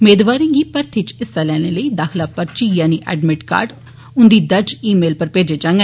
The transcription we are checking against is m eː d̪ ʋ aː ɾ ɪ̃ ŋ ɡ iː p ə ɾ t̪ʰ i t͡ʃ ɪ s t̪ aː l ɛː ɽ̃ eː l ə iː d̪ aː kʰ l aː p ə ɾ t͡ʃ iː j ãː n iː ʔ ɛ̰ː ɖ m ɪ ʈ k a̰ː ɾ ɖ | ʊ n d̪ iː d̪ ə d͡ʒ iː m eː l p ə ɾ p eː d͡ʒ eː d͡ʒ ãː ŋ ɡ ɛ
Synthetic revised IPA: m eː d̪ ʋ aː ɾ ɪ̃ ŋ ɡ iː p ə ɾ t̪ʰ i t͡ʃ ɪ s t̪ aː l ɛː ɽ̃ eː l ə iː d̪ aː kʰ l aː p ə ɾ t͡ʃ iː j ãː n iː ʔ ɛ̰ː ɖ m ɪ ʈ k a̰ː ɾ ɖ | ʊ n d̪ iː d̪ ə d͡ʒ iː m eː l p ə ɾ p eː d͡ʒ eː d͡ʒ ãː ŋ ɡ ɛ